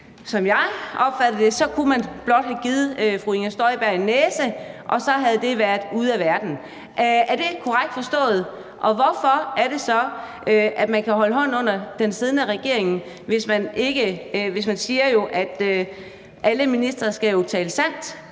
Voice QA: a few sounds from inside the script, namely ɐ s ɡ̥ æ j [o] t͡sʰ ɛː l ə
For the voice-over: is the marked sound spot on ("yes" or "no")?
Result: yes